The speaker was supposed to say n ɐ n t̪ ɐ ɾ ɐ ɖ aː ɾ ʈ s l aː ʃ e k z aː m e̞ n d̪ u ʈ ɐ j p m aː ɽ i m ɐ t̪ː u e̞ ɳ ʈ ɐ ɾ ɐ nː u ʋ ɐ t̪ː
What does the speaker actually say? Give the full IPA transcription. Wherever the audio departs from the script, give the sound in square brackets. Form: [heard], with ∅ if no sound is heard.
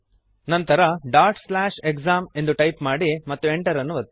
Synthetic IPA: n ɐ n t̪ ɐ ɾ ɐ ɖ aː ɾ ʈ s l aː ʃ e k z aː m e̞ n d̪ u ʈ ɐ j p m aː ɽ i m ɐ t̪ː u e̞ ɳ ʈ ɐ ɾ ɐ nː u ʋ ɐ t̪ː